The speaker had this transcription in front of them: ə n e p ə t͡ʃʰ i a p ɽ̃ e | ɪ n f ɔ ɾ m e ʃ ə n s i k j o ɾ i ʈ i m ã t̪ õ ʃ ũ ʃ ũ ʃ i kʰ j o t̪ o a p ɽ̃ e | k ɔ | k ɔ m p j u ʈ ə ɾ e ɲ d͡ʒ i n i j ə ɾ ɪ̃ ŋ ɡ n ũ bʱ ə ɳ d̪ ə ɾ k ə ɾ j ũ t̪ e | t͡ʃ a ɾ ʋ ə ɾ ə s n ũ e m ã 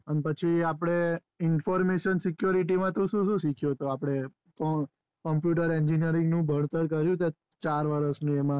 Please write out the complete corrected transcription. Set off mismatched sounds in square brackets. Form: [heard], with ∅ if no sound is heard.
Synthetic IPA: ə n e p ə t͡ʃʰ i a p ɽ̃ e | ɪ n f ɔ ɾ m e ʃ ə n s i k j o ɾ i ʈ i m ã t̪ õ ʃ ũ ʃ ũ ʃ i kʰ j o t̪ o a p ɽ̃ e | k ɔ | k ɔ m p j u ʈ ə ɾ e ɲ d͡ʒ i n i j ə ɾ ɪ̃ ŋ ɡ n ũ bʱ ə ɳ [t̪] ə ɾ k ə ɾ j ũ t̪ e | t͡ʃ a ɾ ʋ ə ɾ ə s n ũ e m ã